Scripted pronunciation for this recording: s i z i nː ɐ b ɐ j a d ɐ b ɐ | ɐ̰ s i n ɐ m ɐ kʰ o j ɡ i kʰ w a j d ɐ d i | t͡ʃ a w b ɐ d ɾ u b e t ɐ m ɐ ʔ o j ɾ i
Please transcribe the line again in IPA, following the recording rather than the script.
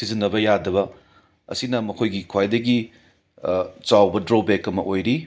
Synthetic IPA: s i z i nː ɐ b ɐ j a d ɐ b ɐ | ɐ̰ s i n ɐ m ɐ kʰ o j ɡ i kʰ w a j d ɐ ɡ i | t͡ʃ a w b ɐ d ɾ o b e k ɐ m ɐ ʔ o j ɾ i